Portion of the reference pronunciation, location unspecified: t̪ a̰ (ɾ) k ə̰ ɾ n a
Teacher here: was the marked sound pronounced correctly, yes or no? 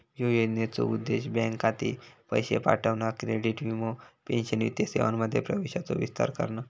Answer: yes